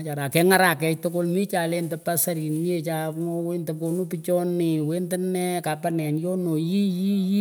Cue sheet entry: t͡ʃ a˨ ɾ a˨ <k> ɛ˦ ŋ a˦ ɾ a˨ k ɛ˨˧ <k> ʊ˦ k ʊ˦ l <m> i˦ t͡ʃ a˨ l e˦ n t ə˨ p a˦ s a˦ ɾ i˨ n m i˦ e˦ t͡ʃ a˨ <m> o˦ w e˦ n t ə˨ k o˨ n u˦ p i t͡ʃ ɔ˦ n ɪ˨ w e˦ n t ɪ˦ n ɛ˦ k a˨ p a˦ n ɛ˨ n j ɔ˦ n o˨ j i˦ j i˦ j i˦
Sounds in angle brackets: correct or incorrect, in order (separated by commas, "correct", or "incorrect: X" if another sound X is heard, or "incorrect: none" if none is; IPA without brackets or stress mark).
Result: correct, incorrect: t, correct, incorrect: ŋ